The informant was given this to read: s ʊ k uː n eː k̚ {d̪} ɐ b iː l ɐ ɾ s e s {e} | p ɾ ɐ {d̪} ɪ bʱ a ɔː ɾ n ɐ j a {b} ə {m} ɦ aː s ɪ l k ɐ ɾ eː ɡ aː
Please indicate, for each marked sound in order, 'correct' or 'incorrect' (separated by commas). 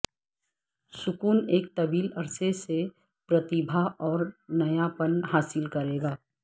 incorrect, correct, incorrect, incorrect, incorrect